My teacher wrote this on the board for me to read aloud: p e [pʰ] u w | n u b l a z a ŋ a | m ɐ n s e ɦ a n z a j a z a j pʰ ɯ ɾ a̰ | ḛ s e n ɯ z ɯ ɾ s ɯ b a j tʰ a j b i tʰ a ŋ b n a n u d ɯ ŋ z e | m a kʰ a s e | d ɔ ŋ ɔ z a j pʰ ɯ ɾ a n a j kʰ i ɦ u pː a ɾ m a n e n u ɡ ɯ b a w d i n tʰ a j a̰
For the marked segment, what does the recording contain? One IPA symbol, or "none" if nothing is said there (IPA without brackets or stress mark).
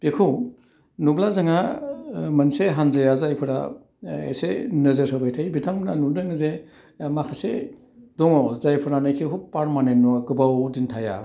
kʰ